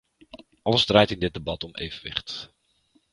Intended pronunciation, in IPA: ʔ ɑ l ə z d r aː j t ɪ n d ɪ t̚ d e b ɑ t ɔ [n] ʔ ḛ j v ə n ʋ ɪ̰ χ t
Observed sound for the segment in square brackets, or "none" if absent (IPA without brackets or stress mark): m